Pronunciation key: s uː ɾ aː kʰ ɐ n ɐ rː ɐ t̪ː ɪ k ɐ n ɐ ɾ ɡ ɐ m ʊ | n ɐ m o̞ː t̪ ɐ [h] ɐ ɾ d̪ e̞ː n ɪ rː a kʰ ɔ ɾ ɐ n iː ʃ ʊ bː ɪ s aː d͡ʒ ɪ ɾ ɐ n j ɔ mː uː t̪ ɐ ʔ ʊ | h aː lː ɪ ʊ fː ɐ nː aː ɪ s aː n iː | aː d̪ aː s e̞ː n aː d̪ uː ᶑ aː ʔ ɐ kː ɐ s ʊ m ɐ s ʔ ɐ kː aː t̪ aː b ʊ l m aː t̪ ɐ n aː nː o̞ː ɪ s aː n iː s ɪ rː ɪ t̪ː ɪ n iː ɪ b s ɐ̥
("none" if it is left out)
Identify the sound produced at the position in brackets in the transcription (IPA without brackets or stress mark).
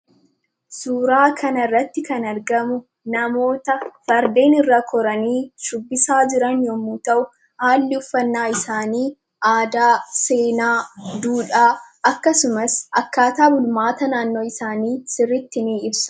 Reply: f